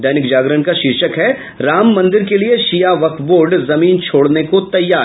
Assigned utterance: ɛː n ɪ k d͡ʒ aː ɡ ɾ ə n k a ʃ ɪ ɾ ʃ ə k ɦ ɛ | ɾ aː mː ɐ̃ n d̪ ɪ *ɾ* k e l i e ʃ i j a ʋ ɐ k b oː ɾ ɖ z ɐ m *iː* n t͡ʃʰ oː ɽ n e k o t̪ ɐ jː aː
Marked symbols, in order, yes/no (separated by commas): yes, yes